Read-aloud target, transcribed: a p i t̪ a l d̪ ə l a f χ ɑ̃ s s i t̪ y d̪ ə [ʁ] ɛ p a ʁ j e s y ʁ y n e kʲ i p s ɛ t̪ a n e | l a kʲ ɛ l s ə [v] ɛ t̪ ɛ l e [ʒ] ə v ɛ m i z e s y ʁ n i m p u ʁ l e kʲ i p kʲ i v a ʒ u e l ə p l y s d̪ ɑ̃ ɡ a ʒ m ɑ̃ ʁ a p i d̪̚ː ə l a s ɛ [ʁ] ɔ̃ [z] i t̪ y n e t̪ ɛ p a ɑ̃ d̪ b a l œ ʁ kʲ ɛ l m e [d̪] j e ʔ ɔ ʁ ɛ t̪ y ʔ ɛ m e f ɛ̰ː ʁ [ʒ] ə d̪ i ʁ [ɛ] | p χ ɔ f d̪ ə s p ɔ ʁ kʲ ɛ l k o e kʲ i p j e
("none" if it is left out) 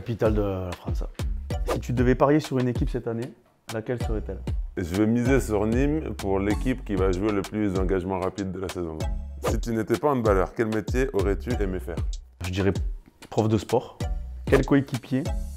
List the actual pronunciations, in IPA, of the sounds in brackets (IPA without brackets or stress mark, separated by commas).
v, ʁ, ʒ, z, s, t̪, ʒ, ɛ